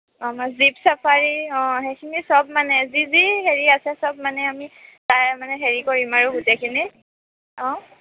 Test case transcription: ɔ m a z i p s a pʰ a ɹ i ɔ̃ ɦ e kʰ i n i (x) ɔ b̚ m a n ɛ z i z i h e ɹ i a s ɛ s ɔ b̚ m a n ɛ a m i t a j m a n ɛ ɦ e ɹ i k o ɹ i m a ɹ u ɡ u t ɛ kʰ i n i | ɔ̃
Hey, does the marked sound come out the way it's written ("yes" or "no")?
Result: no